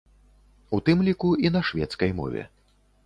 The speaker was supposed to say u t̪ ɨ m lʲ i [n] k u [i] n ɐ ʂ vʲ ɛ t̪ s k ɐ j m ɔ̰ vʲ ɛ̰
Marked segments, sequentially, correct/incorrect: incorrect: none, correct

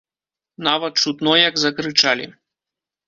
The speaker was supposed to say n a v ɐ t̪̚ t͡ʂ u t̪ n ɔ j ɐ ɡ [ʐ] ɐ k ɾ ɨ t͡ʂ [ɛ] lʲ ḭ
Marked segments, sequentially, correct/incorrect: incorrect: z, incorrect: a

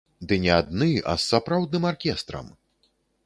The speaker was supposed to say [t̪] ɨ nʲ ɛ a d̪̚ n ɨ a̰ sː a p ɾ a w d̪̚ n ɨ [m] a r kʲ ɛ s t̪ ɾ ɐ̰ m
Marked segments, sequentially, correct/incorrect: incorrect: d̪, correct

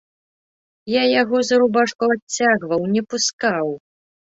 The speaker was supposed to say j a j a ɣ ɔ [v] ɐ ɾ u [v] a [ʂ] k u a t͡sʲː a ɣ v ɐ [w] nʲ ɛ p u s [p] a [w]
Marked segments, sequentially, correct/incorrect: incorrect: z, incorrect: b, correct, correct, incorrect: k, correct

